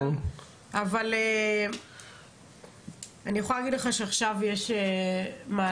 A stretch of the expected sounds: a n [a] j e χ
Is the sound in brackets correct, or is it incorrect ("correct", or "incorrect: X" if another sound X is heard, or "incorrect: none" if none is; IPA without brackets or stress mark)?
incorrect: i